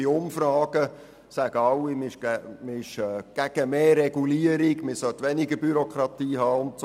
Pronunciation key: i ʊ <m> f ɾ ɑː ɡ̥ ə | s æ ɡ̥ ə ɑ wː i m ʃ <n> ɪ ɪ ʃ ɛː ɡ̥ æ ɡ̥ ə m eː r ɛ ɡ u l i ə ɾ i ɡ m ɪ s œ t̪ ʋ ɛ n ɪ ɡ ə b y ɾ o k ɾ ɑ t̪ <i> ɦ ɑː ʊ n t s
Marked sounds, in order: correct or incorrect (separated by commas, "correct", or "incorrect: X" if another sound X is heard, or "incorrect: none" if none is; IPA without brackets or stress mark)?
correct, incorrect: m, incorrect: iː